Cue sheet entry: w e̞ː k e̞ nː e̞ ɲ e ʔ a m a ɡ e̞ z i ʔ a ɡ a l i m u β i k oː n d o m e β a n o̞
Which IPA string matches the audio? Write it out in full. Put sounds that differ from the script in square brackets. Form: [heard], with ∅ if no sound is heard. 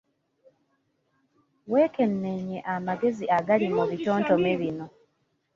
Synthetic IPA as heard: w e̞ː k e̞ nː e̞ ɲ e ʔ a m a ɡ e̞ z i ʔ a ɡ a l i m u β i [t] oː n [t] o m e β [i] n o̞